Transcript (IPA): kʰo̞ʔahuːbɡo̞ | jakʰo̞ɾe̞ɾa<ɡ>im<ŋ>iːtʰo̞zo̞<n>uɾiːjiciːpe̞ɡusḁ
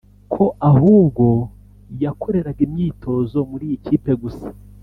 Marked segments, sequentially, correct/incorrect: correct, incorrect, incorrect

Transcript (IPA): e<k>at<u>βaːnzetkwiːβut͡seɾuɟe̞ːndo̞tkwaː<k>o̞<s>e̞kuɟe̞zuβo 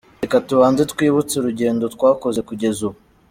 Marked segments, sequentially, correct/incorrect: correct, correct, correct, incorrect

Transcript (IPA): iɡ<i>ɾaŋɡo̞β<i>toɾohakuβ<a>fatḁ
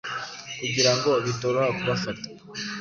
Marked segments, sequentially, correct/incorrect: correct, correct, correct

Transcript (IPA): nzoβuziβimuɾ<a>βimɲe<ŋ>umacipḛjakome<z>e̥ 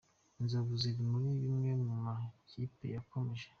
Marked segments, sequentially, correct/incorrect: incorrect, incorrect, incorrect

